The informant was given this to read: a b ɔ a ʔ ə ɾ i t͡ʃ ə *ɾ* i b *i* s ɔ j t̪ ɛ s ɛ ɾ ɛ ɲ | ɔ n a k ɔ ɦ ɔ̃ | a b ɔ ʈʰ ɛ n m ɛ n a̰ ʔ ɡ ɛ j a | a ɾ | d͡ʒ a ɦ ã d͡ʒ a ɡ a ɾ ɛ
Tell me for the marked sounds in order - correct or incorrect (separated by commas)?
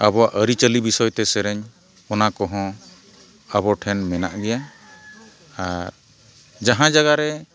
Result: incorrect, correct